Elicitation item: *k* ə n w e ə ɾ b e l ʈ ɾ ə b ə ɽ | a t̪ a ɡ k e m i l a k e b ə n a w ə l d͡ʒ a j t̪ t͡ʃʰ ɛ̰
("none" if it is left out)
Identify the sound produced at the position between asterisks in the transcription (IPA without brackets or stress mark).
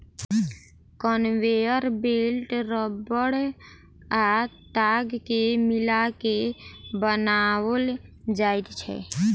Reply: k